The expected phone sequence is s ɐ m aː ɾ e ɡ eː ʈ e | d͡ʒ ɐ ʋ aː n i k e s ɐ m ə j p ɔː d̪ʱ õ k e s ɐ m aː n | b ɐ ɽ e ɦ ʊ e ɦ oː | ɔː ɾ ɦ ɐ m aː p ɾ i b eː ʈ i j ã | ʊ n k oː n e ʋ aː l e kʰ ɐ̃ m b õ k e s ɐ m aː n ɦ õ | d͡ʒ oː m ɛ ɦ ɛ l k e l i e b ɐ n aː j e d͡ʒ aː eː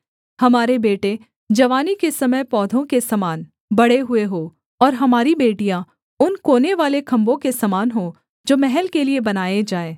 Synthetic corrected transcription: h ɐ m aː ɾ e b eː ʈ e | d͡ʒ ɐ ʋ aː n i k e s ɐ m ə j p ɔː d̪ʱ õ k e s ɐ m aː n | b ɐ ɽ e ɦ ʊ e ɦ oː | ɔː ɾ ɦ ɐ m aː ɾ i b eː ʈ i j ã | ʊ n k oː n e ʋ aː l e kʰ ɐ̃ m b õ k e s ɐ m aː n ɦ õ | d͡ʒ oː m ɛ ɦ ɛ l k e l i e b ɐ n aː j e d͡ʒ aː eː